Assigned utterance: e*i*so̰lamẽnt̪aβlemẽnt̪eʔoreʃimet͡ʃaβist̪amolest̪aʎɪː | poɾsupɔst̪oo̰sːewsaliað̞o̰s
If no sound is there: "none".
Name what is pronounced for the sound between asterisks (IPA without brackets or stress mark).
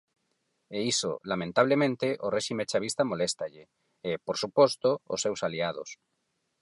i